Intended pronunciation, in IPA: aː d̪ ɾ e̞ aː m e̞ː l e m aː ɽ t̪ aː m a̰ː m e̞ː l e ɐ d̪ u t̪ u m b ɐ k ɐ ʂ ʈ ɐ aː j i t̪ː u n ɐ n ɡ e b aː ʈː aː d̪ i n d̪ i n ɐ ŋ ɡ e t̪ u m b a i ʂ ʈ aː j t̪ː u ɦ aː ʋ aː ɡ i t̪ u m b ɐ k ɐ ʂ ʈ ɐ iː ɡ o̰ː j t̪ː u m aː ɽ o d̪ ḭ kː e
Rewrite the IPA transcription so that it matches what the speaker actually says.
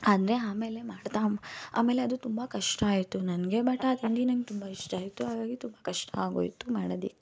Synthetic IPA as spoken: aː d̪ ɾ e̞ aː m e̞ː l e m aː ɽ t̪ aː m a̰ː m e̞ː l e ɐ d̪ u t̪ u m b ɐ k ɐ ʂ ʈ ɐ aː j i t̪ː u n ɐ n ɡ e b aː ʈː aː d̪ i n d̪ i n ɐ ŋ ɡ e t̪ u m b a i ʂ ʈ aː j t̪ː u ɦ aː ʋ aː ɡ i t̪ u m b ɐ k ɐ ʂ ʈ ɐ aː ɡ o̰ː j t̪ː u m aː ɽ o d̪ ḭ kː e